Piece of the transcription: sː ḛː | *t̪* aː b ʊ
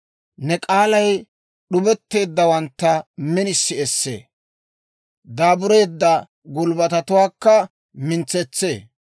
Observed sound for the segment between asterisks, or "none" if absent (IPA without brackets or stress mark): d̪